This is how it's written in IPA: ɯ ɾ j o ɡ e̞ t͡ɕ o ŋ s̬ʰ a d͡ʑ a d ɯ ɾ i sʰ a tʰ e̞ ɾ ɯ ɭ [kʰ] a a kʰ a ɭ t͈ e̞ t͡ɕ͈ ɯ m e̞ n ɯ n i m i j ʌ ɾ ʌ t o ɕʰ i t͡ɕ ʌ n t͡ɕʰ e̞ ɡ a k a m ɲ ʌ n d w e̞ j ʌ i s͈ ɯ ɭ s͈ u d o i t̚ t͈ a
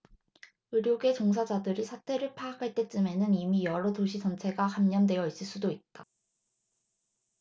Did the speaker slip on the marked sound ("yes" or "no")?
yes